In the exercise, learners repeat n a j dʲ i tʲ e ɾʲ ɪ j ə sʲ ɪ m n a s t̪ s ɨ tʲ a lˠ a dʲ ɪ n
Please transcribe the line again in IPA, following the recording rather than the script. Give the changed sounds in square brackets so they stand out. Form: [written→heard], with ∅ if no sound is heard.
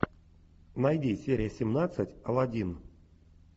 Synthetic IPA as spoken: n a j dʲ i [tʲ→sʲ] e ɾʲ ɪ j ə sʲ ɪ m n a [s→∅] t̪ s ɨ tʲ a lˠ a dʲ [ɪ→i] n

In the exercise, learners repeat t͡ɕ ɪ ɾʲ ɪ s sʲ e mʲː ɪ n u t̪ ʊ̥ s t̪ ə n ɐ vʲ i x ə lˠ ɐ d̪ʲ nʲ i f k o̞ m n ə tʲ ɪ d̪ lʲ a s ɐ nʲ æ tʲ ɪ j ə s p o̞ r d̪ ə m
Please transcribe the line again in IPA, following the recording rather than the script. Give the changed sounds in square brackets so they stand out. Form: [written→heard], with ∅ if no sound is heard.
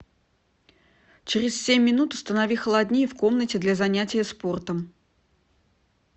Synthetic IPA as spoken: t͡ɕ ɪ ɾʲ ɪ s sʲ e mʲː ɪ n u t̪ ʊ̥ s t̪ ə n ɐ vʲ i x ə lˠ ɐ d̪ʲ nʲ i f k o̞ m n ə tʲ ɪ d̪ lʲ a [s→z] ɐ nʲ æ tʲ ɪ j ə s p o̞ r [d̪→t̪] ə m

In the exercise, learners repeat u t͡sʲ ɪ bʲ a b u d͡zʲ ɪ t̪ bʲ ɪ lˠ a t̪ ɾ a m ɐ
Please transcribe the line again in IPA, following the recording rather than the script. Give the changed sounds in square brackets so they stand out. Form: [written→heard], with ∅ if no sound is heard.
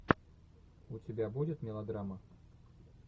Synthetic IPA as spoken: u t͡sʲ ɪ bʲ a b u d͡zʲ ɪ t̪ [bʲ→mʲ] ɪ lˠ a [t̪→d̪] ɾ a m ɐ

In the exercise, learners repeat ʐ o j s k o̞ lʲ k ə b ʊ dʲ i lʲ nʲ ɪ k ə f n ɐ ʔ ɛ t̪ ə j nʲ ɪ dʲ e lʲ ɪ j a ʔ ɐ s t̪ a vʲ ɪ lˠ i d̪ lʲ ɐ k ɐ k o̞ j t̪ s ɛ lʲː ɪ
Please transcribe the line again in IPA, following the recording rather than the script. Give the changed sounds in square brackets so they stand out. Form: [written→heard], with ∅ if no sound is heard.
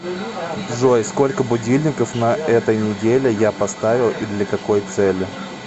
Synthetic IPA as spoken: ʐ o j s k o̞ lʲ k ə b ʊ dʲ i lʲ nʲ ɪ k ə f n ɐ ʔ ɛ t̪ ə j nʲ ɪ dʲ e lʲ ɪ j a [ʔ→p] ɐ s t̪ a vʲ ɪ lˠ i d̪ lʲ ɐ k ɐ k o̞ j t̪ s ɛ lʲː ɪ

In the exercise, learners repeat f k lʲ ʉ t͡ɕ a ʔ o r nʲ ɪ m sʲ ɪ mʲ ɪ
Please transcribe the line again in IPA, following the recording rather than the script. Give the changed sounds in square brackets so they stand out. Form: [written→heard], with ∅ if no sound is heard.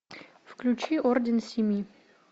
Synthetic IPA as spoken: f k lʲ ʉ t͡ɕ [a→i] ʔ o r [nʲ→dʲ] ɪ [m→n] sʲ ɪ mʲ [ɪ→i]

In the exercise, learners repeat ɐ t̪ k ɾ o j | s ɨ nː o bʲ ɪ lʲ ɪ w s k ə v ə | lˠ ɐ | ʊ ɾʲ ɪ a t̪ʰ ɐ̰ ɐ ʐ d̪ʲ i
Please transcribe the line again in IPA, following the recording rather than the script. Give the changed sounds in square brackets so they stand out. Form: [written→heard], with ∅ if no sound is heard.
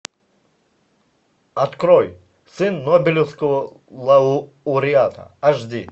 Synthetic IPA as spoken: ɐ t̪ k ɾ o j | s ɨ nː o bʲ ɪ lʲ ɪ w s k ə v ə | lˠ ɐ | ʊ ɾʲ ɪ a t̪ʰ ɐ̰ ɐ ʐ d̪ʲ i

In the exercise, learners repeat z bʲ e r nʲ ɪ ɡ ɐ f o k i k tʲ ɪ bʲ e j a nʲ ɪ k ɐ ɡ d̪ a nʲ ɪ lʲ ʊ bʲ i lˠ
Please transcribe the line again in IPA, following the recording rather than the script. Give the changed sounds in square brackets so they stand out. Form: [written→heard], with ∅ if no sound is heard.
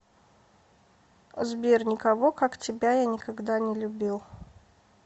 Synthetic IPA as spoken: z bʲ e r nʲ ɪ [ɡ→k] ɐ [f→v] o k [i→a] k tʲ ɪ bʲ [e→a] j a nʲ ɪ k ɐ ɡ d̪ a nʲ ɪ lʲ ʊ bʲ i lˠ

